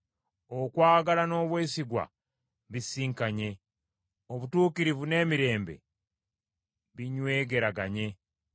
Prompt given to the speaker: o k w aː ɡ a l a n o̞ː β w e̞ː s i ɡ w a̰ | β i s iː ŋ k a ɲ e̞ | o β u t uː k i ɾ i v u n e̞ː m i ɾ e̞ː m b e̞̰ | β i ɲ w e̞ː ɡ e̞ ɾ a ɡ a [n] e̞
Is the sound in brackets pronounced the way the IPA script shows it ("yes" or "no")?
no